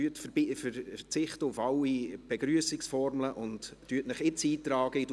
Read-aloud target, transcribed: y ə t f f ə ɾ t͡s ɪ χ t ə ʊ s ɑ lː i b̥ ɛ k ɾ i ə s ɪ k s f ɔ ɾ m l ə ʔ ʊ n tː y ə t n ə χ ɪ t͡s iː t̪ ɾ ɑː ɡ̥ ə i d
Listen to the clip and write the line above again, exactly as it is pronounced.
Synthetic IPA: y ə t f f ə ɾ t͡s ɪ χ t ə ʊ f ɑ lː i b̥ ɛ ɡ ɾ y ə s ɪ k s f ɔ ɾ m l ə ʔ ʊ n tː y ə t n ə χ ɪ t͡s iː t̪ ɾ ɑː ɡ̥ ə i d